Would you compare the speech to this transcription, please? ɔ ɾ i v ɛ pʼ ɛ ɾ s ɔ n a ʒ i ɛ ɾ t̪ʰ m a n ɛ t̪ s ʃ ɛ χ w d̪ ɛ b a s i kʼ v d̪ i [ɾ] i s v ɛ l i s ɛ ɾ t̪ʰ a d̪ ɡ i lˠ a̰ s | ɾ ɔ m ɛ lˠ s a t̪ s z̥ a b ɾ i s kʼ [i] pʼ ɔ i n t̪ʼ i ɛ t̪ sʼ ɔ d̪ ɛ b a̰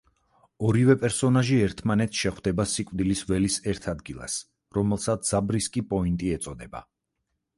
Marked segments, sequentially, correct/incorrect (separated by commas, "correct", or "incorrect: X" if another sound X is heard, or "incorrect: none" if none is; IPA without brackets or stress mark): incorrect: l, correct